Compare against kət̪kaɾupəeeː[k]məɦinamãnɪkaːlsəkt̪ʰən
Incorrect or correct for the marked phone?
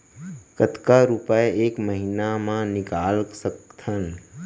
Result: correct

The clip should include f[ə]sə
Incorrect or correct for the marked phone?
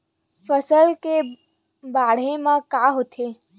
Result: correct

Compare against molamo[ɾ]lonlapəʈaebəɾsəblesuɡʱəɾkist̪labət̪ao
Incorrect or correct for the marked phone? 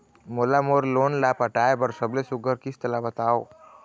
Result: correct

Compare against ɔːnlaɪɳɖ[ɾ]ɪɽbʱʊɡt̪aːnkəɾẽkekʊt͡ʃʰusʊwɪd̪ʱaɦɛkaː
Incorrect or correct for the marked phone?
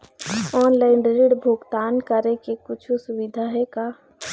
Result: correct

